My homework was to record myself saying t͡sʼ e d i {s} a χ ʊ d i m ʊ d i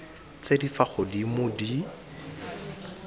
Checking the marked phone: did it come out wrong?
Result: yes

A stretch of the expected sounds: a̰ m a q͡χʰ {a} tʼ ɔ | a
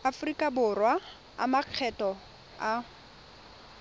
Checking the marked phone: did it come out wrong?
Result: yes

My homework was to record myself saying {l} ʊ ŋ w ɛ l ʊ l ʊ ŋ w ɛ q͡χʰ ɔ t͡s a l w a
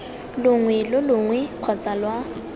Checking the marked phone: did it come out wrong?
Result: no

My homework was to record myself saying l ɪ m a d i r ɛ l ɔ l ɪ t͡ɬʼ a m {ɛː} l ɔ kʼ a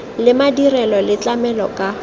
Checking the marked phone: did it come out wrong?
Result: yes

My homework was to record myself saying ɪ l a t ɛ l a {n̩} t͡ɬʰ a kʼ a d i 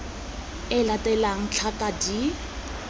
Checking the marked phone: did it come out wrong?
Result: yes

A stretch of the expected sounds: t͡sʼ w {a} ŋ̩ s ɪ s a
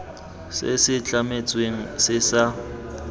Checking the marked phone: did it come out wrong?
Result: yes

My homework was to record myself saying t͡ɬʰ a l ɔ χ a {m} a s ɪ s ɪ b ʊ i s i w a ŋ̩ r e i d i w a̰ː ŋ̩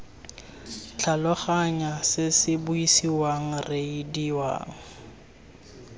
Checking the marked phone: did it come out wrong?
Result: yes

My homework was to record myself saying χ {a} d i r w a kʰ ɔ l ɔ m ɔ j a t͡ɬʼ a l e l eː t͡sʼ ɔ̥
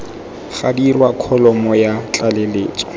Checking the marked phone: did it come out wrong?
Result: no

